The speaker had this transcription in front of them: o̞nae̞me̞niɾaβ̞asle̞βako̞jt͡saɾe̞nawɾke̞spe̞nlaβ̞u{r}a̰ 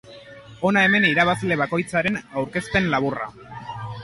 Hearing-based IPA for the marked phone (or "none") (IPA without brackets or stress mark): r